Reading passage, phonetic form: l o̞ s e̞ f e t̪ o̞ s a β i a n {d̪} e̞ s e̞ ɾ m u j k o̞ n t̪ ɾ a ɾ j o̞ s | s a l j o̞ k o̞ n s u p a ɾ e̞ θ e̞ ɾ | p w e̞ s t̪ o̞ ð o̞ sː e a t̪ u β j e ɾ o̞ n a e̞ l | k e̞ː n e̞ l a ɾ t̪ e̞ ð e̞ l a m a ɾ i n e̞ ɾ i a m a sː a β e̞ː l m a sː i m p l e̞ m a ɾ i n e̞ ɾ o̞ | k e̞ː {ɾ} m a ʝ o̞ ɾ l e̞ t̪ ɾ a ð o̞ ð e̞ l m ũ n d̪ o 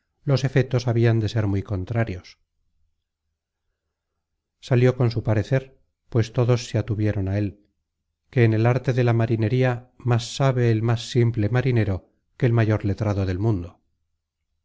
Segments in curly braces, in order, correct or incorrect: correct, incorrect: l

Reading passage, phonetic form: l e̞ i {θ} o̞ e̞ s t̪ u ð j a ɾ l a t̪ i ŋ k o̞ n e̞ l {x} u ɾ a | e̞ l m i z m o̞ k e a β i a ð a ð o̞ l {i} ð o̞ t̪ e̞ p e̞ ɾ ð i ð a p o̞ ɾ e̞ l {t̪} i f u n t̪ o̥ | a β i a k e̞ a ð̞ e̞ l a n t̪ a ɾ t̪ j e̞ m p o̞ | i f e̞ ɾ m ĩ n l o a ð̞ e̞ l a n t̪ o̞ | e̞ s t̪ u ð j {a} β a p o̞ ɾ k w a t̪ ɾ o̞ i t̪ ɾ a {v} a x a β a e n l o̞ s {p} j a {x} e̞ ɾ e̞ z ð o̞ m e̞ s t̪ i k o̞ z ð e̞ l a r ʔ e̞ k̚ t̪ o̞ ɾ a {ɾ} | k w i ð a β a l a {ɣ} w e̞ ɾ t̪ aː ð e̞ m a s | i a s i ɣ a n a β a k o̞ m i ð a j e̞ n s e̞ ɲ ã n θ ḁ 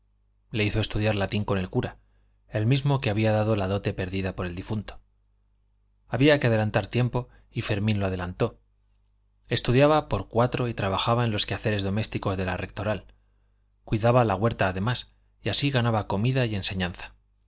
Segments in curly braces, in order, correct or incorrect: correct, incorrect: k, incorrect: a, incorrect: d̪, correct, incorrect: β, incorrect: k, incorrect: θ, incorrect: l, correct

